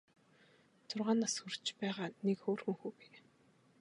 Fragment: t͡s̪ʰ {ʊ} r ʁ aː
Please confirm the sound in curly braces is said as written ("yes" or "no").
yes